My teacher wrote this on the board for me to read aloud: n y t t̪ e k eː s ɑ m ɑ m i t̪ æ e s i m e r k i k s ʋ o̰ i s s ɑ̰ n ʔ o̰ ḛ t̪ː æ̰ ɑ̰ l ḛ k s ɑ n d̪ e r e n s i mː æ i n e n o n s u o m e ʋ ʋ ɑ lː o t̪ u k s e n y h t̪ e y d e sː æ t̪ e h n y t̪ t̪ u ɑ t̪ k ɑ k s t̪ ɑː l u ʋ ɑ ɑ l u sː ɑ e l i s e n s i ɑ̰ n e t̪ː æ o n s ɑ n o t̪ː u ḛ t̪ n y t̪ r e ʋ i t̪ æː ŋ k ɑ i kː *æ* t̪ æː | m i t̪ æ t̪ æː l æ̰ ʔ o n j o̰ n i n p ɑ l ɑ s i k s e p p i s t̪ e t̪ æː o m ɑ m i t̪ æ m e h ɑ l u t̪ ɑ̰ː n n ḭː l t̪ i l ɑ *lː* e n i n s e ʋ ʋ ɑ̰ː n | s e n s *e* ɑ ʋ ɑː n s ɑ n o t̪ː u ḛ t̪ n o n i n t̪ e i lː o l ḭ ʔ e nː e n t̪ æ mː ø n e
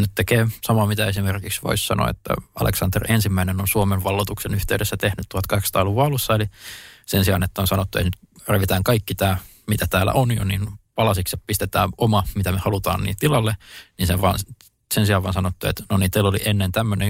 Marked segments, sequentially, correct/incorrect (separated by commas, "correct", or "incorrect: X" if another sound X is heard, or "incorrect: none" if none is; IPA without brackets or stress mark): incorrect: i, correct, incorrect: i